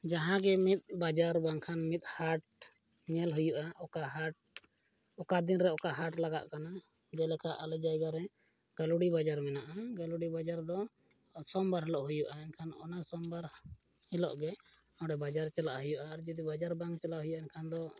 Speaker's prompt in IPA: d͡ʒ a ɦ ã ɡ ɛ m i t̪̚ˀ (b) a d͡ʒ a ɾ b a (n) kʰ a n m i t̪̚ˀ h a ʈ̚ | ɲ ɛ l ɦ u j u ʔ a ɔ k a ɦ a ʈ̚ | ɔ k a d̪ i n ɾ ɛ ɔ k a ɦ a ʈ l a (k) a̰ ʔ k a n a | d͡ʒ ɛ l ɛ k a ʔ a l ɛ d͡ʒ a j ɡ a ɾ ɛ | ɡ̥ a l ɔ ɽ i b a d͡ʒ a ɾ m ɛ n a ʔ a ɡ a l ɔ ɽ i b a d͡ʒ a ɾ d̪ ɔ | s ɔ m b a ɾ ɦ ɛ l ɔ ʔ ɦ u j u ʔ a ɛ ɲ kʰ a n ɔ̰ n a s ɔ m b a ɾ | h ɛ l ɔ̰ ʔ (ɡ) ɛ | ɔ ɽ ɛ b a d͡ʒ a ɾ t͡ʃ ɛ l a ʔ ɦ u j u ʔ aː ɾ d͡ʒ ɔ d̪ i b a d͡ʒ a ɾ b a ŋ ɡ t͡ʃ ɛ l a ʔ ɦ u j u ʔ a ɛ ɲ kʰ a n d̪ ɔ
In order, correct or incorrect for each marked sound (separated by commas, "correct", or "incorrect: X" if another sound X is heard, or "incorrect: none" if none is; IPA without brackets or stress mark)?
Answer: correct, incorrect: ŋ, incorrect: ɡ, correct